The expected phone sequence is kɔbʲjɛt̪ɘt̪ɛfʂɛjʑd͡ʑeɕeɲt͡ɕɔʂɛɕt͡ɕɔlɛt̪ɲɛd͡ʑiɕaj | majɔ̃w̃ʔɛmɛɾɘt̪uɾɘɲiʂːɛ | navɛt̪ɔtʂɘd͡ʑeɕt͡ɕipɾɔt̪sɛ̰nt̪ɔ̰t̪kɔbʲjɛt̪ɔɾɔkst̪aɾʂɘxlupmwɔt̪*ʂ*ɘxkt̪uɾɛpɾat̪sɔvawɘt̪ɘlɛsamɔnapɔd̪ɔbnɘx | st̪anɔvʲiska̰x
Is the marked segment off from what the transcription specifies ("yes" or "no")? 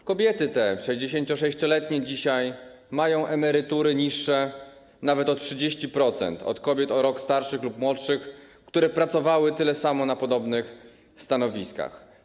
no